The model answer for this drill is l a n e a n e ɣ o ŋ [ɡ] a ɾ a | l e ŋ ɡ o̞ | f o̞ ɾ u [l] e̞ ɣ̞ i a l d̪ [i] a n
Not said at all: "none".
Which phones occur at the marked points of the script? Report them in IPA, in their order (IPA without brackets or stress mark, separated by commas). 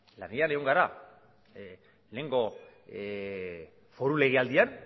ɡ, l, i